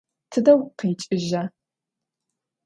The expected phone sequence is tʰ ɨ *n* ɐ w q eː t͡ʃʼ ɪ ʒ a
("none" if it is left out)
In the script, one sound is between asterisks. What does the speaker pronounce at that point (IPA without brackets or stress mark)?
d